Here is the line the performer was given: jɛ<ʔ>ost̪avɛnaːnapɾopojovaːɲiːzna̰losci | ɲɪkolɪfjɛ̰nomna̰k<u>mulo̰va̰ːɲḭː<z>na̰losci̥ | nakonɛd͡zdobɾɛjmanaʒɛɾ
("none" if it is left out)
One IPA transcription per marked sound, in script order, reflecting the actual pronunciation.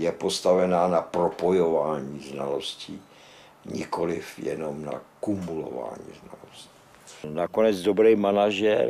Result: p, u, z

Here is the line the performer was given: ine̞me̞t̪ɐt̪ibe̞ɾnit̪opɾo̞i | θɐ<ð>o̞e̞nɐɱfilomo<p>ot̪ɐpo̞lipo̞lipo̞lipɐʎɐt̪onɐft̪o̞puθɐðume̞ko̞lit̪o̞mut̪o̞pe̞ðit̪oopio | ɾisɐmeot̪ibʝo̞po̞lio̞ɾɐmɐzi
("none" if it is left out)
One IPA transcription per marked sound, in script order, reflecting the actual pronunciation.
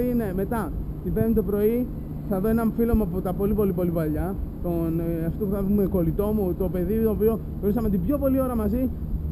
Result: ð, p

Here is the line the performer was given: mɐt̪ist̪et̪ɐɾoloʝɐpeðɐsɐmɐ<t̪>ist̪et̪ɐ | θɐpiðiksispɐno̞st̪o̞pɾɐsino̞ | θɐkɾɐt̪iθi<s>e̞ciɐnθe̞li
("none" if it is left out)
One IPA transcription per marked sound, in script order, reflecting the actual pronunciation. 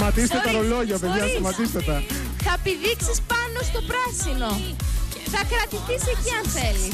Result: t̪, s

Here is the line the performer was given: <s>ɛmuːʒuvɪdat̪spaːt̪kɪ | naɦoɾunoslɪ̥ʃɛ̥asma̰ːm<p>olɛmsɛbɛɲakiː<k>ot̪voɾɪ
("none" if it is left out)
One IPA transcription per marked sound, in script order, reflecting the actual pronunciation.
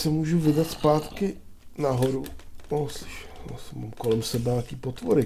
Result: s, k, p

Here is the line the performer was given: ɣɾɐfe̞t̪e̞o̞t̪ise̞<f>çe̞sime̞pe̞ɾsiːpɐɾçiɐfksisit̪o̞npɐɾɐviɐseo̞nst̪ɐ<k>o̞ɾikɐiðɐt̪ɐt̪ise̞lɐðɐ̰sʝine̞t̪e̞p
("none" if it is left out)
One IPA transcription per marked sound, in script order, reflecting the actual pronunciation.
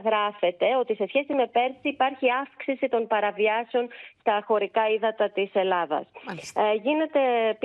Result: s, x

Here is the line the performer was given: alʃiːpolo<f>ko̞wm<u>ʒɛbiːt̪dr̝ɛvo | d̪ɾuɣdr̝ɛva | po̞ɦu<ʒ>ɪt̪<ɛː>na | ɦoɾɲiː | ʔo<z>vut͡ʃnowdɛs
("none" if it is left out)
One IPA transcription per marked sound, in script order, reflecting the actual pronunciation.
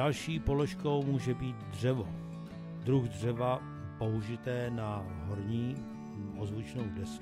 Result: ʃ, uː, ʒ, ɛː, z

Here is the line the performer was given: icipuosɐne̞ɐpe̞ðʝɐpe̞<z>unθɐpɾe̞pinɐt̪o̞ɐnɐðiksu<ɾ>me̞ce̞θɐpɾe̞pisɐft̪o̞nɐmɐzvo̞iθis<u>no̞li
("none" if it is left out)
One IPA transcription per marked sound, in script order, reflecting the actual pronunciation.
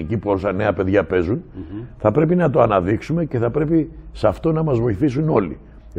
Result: z, none, u

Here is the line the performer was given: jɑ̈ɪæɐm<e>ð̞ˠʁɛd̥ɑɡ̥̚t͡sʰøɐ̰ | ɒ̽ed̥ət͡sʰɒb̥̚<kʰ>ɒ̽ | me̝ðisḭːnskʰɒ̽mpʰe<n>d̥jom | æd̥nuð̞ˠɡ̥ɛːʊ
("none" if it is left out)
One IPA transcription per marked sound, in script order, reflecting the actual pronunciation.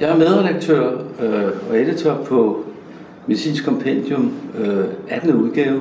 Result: e, pʰ, n

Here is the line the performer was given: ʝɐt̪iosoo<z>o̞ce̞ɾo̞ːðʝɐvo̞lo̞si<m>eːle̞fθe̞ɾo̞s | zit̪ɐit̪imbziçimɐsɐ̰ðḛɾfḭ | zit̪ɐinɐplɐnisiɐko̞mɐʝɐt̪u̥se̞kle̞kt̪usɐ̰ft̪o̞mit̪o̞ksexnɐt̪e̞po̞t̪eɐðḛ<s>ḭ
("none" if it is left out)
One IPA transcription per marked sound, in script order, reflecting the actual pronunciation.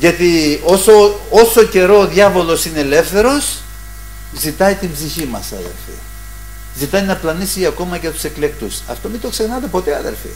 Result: s, n, f

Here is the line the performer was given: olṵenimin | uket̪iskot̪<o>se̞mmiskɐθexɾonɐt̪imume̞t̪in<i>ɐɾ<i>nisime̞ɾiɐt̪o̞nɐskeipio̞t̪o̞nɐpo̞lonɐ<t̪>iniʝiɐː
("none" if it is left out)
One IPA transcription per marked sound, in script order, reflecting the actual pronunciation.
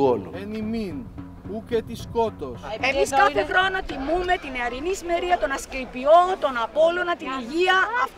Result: o, e, i, t̪

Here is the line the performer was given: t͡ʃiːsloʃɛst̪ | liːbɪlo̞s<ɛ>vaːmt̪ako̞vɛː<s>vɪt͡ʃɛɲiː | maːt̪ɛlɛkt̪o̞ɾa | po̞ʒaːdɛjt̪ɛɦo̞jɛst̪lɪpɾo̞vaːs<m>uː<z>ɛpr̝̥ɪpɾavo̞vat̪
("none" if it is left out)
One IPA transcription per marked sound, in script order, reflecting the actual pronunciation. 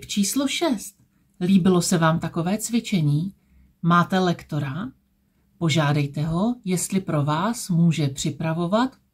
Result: ɛ, t͡s, m, ʒ

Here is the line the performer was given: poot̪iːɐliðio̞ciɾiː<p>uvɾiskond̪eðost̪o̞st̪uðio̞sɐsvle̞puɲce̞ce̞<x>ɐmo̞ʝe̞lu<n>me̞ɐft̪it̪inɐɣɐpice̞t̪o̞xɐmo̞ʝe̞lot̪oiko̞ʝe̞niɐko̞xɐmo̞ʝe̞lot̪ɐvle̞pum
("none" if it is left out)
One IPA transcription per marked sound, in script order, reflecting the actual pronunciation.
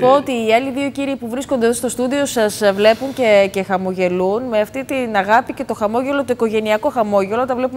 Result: p, x, n

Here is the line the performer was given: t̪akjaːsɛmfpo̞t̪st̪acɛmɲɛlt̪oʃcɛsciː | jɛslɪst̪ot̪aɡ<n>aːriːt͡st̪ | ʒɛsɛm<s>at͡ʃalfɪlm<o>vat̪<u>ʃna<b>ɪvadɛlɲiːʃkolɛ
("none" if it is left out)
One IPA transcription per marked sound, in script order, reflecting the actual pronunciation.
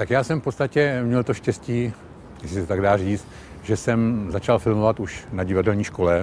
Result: d, z, o, u, ɟ

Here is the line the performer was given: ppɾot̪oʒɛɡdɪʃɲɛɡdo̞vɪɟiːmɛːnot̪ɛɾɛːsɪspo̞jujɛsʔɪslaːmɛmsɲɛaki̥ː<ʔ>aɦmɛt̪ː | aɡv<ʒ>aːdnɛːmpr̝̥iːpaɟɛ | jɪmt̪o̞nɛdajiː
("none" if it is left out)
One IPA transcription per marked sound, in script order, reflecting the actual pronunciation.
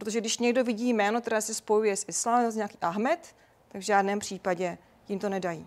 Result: ʔ, ʒ

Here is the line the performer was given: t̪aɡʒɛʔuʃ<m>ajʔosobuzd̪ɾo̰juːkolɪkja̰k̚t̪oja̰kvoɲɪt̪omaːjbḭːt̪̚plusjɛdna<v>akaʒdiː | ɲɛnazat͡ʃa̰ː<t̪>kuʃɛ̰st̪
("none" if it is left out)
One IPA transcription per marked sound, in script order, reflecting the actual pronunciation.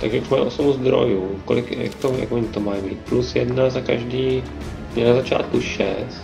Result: m, z, t̪

